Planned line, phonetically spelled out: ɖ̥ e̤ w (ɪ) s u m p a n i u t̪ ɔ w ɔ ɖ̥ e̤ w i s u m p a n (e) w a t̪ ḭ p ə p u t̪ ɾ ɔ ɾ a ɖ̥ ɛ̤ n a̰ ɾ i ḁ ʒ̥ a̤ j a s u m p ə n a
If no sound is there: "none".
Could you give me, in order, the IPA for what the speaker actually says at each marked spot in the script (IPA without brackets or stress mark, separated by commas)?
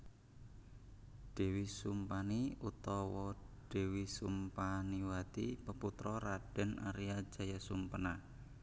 i, i